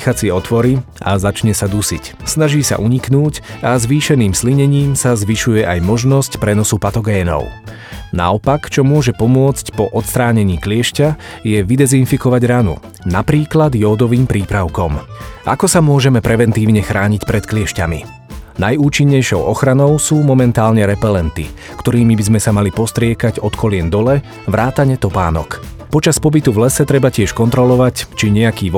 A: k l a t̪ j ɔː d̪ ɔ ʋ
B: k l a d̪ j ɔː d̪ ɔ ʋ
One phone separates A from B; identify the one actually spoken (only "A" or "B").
B